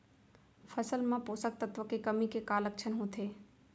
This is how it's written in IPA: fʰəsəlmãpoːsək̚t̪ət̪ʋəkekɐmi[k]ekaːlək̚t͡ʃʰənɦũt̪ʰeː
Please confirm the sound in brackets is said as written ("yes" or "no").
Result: yes